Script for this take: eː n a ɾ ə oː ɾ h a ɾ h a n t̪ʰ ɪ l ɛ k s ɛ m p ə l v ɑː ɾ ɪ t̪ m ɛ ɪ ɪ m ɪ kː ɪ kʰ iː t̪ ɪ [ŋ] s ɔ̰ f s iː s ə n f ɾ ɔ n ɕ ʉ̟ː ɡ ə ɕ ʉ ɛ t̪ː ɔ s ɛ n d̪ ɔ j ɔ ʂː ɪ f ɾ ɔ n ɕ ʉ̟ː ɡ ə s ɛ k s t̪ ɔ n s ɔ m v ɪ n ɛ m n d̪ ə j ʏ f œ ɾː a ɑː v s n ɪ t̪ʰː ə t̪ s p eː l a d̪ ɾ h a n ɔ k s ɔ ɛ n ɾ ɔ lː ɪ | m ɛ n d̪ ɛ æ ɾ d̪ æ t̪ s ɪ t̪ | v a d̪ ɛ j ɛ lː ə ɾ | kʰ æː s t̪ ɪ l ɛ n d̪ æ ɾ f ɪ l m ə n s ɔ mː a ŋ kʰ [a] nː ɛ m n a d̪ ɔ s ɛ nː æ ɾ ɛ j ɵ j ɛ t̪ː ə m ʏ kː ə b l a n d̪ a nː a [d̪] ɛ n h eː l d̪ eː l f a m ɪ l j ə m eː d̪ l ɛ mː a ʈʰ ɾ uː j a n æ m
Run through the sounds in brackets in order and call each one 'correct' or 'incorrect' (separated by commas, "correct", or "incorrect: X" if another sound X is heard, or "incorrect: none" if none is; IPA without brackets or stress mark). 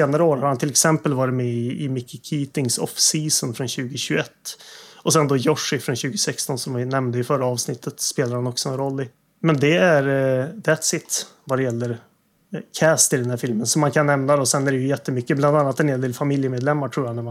correct, correct, incorrect: t̪